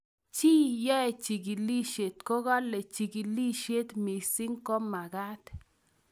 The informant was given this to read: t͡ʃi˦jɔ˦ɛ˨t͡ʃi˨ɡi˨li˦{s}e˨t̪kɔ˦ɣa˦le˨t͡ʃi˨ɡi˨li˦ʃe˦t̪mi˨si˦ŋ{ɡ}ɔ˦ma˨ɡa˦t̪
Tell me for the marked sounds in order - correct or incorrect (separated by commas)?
incorrect, incorrect